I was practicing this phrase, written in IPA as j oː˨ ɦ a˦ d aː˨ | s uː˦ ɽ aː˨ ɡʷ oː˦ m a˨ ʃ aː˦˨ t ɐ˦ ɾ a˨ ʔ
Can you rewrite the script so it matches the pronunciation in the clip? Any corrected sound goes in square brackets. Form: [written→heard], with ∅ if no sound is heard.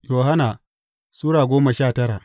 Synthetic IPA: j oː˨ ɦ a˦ [d→n] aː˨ | s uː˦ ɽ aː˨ ɡʷ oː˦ m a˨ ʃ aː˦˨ t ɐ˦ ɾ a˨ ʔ